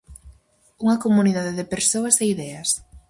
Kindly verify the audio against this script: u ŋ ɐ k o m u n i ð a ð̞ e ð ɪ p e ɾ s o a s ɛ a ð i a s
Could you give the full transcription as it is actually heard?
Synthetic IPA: u ŋ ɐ k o m u n i ð a ð̞ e ð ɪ p e ɾ s o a s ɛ i ð ɛ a s